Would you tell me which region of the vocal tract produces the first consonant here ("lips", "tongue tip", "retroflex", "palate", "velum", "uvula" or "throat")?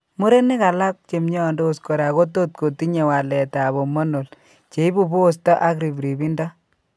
lips